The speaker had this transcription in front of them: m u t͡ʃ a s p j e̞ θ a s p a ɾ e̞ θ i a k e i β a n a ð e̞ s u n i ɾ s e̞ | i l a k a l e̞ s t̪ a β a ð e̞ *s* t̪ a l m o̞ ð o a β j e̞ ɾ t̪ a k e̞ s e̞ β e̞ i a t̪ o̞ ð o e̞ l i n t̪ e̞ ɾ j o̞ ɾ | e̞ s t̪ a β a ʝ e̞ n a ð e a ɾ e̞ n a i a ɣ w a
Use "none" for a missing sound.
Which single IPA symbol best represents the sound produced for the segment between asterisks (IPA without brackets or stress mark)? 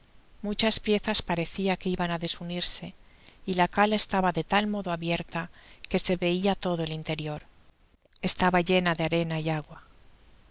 none